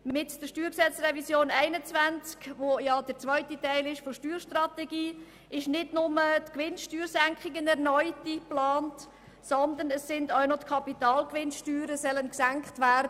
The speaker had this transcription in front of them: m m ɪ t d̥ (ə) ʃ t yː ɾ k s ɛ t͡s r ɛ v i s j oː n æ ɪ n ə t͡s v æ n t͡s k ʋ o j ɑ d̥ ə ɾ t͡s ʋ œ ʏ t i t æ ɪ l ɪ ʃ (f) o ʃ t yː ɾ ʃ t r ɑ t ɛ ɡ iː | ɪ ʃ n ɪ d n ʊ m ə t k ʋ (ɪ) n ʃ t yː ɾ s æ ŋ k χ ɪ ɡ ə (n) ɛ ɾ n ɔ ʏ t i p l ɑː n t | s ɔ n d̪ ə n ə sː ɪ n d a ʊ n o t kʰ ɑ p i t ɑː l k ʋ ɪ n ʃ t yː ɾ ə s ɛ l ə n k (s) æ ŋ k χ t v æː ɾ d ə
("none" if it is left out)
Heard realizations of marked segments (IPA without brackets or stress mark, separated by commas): ə, f, ɪ, n, s